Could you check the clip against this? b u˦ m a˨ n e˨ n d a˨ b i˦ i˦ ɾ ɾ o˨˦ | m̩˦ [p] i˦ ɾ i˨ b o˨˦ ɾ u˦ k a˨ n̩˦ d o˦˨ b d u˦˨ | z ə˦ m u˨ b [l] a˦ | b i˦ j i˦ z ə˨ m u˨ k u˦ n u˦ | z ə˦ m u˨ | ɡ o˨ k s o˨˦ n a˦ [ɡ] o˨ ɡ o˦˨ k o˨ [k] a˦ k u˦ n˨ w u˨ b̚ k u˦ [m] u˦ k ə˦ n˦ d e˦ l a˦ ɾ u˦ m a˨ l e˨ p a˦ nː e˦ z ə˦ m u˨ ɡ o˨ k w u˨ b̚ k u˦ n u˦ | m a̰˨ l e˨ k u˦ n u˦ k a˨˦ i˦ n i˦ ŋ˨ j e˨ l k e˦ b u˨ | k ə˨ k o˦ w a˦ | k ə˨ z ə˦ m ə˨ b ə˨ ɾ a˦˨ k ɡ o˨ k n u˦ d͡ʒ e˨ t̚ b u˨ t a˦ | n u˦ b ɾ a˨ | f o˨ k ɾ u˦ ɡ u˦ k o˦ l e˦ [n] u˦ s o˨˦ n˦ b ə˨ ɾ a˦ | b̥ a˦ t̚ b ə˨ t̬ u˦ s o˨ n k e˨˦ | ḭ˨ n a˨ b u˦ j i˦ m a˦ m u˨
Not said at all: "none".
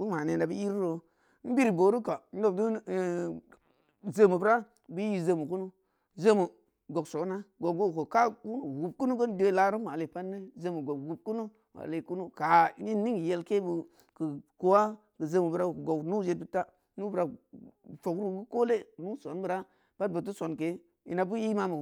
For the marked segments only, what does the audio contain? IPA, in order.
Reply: b, ɾ, ɡ, k, n, n

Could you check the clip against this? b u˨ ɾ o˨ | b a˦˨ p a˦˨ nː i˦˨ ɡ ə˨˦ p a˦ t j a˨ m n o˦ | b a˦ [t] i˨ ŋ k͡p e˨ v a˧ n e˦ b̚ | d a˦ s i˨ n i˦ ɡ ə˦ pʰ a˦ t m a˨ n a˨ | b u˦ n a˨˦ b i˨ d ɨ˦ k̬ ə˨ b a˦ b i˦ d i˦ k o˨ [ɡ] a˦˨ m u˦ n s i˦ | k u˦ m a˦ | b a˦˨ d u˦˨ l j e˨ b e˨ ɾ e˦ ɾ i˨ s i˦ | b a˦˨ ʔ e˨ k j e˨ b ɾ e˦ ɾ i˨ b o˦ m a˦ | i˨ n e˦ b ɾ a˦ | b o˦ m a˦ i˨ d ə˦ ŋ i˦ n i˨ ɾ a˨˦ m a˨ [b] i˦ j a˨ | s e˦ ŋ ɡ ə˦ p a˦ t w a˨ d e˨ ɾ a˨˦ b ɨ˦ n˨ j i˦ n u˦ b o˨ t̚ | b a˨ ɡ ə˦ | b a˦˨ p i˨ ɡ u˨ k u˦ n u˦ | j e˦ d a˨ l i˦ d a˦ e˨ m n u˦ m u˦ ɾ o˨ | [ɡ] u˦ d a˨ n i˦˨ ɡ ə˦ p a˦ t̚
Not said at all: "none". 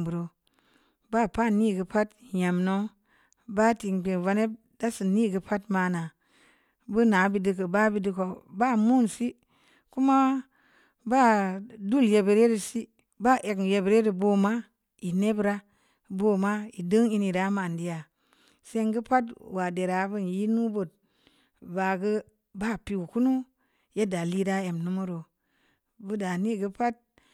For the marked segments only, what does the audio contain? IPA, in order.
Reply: t, b, d, b

